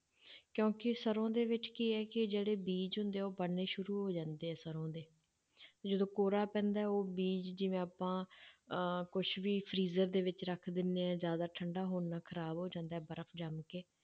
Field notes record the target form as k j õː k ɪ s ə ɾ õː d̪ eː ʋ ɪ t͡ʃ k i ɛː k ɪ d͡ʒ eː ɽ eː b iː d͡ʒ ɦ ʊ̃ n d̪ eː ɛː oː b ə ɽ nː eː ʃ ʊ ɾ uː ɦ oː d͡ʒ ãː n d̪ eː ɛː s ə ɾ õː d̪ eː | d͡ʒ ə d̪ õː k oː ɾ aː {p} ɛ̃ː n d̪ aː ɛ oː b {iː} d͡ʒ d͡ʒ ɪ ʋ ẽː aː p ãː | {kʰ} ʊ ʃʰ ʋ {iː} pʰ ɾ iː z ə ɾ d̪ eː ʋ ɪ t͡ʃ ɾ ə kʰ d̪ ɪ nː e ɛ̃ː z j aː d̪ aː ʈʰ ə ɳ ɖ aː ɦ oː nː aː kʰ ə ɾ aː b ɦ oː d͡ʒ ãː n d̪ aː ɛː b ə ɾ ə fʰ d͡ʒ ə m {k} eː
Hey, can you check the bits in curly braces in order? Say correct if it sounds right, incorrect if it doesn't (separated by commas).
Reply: correct, correct, incorrect, correct, correct